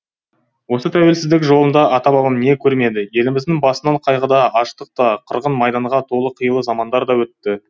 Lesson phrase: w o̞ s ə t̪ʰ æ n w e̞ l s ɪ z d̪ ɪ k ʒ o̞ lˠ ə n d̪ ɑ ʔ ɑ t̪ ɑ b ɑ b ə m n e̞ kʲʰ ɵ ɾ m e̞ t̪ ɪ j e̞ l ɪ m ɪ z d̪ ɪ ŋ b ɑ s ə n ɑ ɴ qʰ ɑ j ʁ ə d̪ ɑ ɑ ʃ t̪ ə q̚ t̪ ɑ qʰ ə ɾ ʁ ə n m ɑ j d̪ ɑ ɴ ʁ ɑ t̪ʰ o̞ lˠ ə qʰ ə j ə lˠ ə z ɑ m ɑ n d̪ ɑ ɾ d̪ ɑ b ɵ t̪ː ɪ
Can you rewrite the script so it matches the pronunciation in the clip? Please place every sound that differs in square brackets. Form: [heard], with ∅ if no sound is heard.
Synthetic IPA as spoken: w o̞ s ə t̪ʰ æ [∅] w e̞ l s ɪ z d̪ ɪ k ʒ o̞ lˠ ə n d̪ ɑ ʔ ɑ t̪ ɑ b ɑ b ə m n e̞ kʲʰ ɵ ɾ m e̞ [d̪] ɪ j e̞ l ɪ m ɪ z d̪ ɪ ŋ b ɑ s ə n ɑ ɴ qʰ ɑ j ʁ ə d̪ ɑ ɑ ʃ t̪ ə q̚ t̪ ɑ qʰ ə ɾ ʁ ə n m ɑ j d̪ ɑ ɴ ʁ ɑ t̪ʰ o̞ lˠ ə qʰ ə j ə lˠ ə z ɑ m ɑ n d̪ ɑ ɾ d̪ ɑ [w] ɵ t̪ː ɪ